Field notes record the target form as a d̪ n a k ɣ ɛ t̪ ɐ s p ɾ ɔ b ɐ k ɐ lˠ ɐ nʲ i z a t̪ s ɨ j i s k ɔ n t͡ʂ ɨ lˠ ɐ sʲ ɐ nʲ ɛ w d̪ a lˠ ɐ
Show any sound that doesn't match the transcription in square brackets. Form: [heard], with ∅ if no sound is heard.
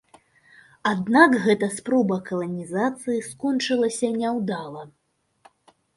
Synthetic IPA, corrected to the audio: a d̪ n a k ɣ ɛ t̪ ɐ s p ɾ ɔ b ɐ k ɐ lˠ ɐ nʲ i z a t̪ s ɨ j i s k ɔ n t͡ʂ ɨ lˠ ɐ sʲ ɐ nʲ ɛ w d̪ a lˠ ɐ